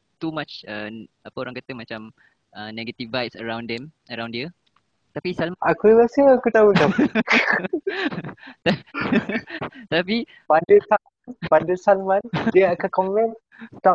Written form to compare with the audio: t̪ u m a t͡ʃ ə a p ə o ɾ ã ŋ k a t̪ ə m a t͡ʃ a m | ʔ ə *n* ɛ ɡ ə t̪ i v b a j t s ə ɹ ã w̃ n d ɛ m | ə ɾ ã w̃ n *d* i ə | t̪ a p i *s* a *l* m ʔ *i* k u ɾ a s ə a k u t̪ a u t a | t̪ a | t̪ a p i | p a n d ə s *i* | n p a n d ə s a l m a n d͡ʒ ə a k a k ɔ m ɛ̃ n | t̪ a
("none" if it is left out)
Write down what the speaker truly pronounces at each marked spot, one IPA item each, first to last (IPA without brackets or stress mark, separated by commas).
n, d, s, l, a, a